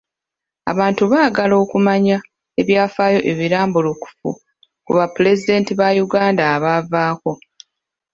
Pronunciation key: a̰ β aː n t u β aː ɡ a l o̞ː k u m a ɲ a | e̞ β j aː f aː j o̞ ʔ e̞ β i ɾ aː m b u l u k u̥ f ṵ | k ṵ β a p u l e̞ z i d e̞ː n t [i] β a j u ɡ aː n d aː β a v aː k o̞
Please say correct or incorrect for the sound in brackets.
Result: correct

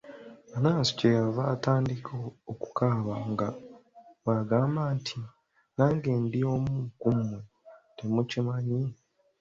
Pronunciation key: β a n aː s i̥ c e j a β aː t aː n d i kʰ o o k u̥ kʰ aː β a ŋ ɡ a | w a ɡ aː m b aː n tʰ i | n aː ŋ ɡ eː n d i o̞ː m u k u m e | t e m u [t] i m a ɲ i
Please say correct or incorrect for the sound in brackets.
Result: incorrect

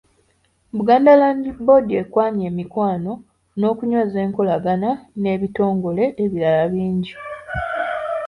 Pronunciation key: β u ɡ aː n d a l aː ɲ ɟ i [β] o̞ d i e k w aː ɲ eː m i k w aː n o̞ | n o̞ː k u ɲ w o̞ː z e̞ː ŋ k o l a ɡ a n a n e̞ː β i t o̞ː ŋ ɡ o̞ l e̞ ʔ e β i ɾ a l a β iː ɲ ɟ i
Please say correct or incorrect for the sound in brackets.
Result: incorrect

